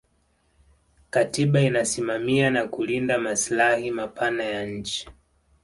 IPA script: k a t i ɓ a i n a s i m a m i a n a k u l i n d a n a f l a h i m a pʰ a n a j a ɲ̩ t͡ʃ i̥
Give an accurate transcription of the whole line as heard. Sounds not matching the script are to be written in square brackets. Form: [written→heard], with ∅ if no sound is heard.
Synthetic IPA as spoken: k a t i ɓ a i n a s i m a m i a n a k u l i n d a [n→m] a [f→s] l a h i m a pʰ a n a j a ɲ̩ t͡ʃ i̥